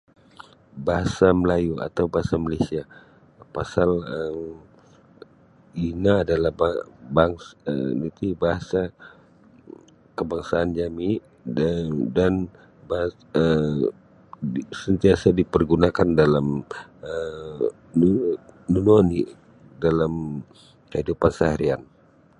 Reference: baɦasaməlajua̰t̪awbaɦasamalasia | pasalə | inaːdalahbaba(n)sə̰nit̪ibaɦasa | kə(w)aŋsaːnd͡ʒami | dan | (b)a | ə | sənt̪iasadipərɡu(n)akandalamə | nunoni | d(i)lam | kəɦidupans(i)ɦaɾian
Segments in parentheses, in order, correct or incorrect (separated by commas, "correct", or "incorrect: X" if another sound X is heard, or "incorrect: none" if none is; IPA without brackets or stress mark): incorrect: ŋ, incorrect: b, correct, correct, incorrect: a, incorrect: a